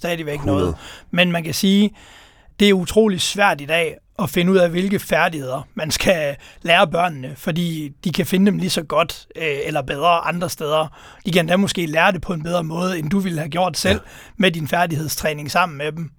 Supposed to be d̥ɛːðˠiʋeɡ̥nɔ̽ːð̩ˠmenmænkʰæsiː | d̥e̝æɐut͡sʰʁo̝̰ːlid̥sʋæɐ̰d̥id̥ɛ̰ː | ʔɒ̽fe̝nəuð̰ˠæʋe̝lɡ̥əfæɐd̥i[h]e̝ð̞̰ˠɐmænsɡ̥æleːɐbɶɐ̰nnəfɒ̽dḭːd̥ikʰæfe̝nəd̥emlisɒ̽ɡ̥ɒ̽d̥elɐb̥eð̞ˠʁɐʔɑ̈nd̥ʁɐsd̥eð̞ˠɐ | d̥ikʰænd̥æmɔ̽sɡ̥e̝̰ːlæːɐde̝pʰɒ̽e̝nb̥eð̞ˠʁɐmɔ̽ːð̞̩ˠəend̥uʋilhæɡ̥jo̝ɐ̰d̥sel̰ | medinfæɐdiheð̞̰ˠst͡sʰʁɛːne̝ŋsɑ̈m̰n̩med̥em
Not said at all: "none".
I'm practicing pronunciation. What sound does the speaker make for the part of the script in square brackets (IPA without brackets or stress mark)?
h